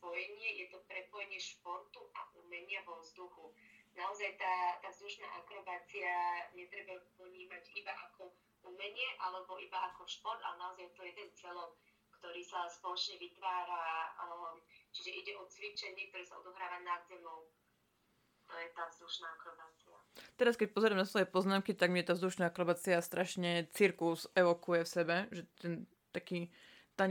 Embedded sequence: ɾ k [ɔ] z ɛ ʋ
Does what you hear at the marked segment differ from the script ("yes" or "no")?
yes